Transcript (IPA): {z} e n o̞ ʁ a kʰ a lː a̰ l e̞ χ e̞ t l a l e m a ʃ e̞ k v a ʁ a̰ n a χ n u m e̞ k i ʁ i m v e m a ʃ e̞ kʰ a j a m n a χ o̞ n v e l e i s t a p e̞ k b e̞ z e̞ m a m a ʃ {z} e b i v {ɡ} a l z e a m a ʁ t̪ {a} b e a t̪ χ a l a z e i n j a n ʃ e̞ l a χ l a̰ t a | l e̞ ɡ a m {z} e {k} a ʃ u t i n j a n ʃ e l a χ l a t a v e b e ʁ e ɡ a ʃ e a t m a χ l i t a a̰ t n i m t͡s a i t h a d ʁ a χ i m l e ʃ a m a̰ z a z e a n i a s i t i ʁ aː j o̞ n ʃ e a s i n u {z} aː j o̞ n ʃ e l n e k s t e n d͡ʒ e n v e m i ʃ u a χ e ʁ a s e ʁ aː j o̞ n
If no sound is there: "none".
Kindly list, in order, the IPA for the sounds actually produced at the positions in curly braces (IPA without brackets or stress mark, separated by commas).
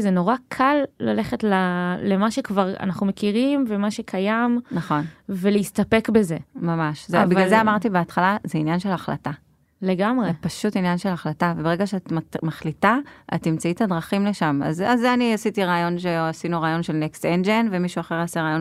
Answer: z, z, ɡ, i, ʁ, p, ʁ